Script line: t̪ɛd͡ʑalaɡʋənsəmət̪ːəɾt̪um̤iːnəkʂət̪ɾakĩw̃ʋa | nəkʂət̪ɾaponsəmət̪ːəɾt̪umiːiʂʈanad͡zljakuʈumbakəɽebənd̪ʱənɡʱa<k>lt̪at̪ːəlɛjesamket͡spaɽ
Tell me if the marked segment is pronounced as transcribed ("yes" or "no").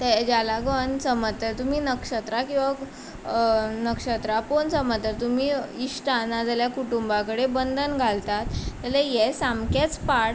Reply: no